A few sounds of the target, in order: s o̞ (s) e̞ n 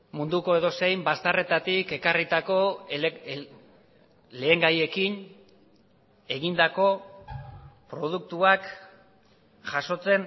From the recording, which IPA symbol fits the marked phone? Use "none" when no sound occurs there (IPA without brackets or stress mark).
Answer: t͡s